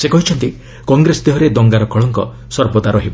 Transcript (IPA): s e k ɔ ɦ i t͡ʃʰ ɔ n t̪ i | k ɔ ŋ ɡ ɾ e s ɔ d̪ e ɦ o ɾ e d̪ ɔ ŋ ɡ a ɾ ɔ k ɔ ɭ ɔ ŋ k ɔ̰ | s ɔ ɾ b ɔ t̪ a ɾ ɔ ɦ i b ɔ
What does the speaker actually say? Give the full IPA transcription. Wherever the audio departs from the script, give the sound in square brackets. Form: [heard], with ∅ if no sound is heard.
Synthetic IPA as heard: s e k ɔ ɦ i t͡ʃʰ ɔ n t̪ i | k ɔ ŋ ɡ ɾ e s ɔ d̪ e ɦ [ɔ] ɾ e d̪ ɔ ŋ ɡ a ɾ ɔ k ɔ ɭ ɔ ŋ k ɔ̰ | s ɔ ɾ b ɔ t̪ a ɾ ɔ ɦ i b ɔ